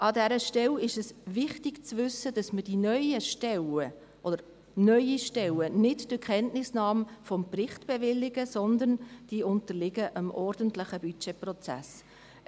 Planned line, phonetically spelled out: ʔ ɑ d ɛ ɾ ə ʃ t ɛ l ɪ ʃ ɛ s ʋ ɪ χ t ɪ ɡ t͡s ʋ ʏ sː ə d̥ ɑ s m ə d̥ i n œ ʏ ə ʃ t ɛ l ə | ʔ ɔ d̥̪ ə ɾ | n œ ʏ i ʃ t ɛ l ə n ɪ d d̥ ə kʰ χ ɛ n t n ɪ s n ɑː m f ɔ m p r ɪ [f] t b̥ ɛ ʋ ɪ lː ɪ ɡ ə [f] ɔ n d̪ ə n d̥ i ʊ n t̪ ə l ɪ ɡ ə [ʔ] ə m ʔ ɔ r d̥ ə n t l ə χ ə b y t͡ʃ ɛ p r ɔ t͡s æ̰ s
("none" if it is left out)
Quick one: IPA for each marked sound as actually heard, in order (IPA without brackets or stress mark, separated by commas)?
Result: χ, s, ʔ